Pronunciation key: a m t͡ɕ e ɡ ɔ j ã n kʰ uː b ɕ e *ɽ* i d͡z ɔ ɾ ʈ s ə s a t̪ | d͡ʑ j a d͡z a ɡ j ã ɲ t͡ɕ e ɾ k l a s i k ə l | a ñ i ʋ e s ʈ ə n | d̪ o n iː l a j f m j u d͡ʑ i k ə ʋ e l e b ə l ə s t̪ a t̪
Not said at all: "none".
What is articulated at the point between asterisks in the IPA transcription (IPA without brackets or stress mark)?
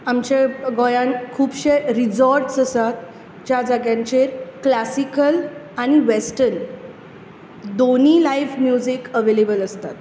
ɾ